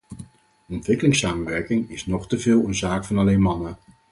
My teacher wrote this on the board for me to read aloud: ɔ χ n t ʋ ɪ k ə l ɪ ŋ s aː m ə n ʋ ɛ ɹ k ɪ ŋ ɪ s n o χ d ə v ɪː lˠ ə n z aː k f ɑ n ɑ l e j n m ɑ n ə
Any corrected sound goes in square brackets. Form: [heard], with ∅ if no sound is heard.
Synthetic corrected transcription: ɔ [∅] n t ʋ ɪ k ə l ɪ ŋ s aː m ə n ʋ ɛ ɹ k ɪ ŋ ɪ s n [ɔ] χ [t] ə v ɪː lˠ ə n z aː k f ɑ n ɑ l e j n m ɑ n ə